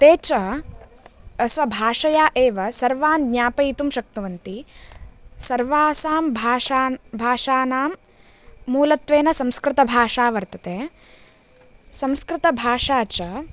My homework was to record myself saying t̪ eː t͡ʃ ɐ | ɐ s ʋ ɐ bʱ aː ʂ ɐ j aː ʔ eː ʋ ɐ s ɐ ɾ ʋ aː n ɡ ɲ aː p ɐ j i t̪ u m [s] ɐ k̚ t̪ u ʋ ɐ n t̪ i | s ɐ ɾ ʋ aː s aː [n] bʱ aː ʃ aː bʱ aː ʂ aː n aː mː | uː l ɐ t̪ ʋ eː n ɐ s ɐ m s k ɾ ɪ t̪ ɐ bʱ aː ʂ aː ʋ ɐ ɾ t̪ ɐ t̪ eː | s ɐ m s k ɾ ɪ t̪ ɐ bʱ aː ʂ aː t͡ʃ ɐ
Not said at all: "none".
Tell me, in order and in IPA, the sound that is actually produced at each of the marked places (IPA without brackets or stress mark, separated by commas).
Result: ʃ, m